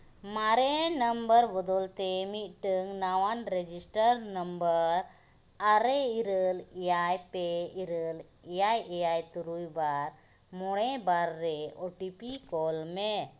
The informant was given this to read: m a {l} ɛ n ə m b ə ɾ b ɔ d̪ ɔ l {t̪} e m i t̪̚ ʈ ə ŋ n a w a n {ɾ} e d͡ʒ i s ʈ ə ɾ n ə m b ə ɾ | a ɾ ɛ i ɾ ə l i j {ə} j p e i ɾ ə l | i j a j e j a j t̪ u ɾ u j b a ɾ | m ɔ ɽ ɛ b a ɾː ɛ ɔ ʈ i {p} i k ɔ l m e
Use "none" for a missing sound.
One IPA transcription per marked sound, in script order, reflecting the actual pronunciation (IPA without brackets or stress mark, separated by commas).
ɾ, t̪, ɾ, a, p